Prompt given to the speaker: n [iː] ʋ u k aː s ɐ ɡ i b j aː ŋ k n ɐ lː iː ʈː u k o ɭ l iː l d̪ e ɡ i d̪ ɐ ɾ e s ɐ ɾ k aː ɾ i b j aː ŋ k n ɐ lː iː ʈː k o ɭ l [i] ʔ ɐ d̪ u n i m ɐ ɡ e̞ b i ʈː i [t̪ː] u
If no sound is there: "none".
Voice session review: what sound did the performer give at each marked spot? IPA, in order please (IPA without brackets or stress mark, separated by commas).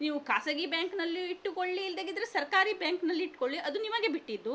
iː, i, d̪ː